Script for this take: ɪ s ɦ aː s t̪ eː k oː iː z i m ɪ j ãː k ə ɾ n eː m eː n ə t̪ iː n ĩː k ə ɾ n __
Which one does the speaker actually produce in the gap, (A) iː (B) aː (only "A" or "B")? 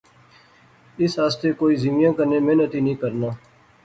B